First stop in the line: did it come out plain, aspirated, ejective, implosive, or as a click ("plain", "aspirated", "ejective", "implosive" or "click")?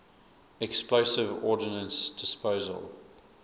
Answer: plain